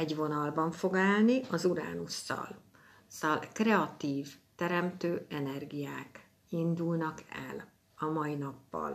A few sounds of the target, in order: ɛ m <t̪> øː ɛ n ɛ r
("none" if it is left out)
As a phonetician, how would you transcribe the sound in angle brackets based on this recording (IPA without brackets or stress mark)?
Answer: t̪